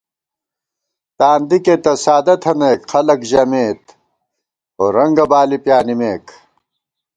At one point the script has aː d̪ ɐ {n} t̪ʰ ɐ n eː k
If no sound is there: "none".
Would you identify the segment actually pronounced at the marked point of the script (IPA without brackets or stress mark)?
none